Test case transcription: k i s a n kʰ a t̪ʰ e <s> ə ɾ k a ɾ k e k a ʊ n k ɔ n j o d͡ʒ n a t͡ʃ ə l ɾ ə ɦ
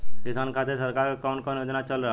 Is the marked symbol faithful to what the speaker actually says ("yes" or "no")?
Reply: yes